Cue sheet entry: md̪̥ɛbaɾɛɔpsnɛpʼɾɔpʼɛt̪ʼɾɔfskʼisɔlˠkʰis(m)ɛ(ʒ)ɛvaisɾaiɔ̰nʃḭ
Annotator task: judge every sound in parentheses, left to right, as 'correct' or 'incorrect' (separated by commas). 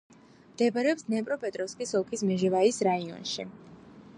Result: correct, correct